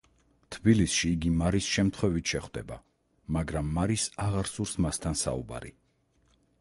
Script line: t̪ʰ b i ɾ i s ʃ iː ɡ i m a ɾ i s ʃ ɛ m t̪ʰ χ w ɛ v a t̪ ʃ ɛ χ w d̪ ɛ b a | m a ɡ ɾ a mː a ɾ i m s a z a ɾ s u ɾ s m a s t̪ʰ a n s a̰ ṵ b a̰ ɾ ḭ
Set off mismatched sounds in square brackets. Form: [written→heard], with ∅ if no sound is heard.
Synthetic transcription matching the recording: t̪ʰ b i [ɾ→l] i s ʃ iː ɡ i m a ɾ i s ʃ ɛ m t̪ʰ χ w ɛ v [a→i] t̪ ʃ ɛ χ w d̪ ɛ b a | m a ɡ ɾ a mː a ɾ i [m→∅] s a [z→ʁ] a ɾ s u ɾ s m a s t̪ʰ a n s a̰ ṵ b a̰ ɾ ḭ